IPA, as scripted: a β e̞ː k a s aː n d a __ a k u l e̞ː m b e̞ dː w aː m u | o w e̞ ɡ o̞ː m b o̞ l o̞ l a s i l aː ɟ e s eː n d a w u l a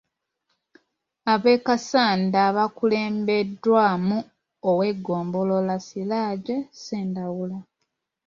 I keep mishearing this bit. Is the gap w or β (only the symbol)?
β